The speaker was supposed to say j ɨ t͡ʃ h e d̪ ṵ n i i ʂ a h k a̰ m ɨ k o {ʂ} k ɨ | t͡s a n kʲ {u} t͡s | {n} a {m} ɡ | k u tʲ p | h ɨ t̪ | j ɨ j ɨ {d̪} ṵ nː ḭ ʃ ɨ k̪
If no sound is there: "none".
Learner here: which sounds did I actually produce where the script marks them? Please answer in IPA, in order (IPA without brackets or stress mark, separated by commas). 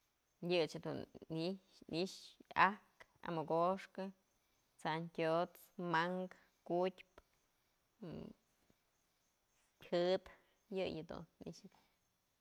ʂ, o, m, ŋ, d̪